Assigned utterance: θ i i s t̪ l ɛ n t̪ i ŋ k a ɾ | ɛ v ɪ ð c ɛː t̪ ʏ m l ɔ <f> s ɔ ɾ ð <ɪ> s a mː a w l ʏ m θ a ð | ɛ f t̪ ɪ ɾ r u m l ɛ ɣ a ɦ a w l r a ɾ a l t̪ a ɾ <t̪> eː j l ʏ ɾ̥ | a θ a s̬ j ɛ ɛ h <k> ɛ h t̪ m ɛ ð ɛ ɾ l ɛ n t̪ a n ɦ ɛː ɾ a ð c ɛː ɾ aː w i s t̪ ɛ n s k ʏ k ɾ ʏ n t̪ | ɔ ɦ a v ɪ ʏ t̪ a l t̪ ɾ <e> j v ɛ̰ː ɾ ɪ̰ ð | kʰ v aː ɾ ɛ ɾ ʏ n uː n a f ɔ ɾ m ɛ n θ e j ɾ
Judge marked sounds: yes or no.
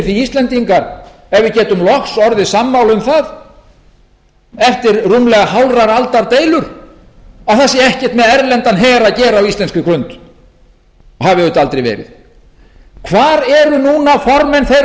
no, yes, yes, no, yes

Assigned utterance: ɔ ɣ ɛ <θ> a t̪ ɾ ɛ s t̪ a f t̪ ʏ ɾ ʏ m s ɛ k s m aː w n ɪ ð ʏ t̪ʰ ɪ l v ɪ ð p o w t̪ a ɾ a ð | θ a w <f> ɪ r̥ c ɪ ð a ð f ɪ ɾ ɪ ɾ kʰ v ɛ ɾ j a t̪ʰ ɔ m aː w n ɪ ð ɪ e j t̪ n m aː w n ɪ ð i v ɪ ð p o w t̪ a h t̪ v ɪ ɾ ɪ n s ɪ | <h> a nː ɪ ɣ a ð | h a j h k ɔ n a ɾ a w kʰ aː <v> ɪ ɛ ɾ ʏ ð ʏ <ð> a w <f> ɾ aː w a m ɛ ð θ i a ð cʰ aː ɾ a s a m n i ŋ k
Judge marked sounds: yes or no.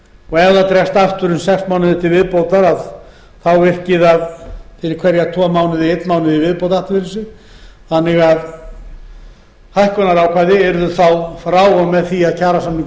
no, no, no, no, no, yes

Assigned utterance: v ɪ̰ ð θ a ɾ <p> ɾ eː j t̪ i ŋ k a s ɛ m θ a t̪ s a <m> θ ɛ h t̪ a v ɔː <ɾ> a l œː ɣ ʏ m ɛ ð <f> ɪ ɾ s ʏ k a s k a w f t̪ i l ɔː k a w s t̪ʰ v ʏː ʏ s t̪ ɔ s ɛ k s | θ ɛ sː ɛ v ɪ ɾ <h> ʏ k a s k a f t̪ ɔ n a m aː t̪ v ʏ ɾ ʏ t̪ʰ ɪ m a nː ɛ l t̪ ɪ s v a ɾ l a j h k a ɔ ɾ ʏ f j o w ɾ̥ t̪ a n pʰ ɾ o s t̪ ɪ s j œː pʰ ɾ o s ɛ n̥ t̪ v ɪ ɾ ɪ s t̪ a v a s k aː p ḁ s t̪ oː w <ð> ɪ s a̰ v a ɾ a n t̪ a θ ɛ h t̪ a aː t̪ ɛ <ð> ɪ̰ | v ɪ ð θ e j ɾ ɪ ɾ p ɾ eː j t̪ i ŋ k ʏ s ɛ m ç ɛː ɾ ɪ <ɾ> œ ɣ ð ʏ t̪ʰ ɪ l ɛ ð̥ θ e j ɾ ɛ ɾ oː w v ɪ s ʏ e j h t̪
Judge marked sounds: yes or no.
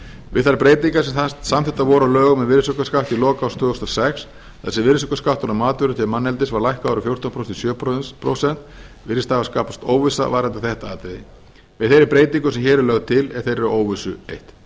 yes, yes, yes, no, no, no, yes, no

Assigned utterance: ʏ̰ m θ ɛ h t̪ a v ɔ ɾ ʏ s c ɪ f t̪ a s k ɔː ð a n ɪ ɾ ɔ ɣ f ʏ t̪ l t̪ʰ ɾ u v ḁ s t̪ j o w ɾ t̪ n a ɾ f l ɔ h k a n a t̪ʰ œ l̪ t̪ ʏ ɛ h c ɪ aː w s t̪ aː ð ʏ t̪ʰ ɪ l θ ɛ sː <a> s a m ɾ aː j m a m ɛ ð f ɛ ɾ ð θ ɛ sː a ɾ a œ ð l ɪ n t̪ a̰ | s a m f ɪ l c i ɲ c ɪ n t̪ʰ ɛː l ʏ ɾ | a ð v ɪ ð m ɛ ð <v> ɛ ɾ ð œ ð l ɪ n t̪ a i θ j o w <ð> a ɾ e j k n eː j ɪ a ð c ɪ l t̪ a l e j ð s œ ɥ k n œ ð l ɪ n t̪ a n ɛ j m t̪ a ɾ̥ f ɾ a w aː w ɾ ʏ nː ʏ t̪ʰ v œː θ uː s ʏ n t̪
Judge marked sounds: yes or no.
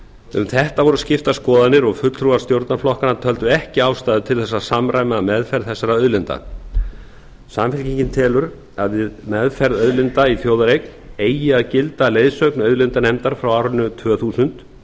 yes, no, yes

